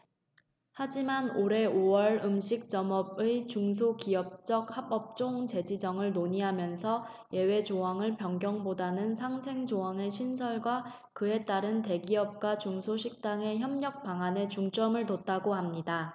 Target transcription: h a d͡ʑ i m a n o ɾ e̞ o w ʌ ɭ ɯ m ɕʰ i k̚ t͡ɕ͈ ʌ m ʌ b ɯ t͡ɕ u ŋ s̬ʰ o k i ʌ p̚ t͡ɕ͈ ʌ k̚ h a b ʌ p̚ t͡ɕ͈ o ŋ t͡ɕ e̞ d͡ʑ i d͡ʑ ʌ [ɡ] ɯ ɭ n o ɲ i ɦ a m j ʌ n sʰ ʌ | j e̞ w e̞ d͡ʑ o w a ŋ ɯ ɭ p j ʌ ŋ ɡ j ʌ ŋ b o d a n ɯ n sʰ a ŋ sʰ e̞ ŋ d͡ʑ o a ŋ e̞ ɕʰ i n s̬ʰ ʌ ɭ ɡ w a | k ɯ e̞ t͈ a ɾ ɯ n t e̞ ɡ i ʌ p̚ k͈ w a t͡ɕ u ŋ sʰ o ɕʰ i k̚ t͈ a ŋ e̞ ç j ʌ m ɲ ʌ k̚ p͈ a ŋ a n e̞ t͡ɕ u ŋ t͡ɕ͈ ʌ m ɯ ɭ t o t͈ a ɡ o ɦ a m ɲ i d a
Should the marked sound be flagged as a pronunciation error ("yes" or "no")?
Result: yes